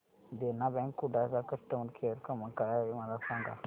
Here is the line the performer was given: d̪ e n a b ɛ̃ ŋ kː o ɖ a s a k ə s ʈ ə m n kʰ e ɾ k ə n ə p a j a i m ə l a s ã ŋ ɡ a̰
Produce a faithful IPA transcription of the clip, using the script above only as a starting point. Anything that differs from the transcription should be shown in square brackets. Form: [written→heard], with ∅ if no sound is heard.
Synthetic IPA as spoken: d̪ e n a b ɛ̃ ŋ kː [o→u] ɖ a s a k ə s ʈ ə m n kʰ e ɾ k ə [n→m] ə [p→k] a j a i m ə l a s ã ŋ ɡ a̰